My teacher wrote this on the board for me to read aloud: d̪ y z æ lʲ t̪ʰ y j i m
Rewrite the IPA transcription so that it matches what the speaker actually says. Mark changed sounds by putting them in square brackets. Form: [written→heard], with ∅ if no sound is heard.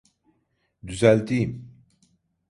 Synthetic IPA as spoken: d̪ y z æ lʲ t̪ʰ [y→i] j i m